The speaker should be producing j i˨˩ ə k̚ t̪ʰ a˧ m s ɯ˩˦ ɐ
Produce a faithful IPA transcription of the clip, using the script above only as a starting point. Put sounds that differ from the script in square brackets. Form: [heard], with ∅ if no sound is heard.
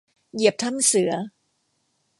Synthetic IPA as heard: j i˨˩ ə [p̚] t̪ʰ [a˥˩] m s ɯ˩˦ ɐ